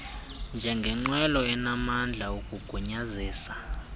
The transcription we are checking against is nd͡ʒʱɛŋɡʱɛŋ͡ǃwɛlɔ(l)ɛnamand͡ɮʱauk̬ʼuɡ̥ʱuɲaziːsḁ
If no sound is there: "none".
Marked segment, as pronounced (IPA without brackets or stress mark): none